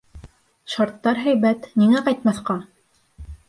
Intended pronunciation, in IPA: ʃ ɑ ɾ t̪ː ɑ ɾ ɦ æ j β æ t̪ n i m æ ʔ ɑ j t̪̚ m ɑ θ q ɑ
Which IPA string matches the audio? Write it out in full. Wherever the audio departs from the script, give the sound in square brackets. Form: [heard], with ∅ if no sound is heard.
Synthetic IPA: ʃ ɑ ɾ t̪ː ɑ ɾ ɦ æ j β æ t̪ n i [ŋ] æ [q] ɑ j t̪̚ m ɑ θ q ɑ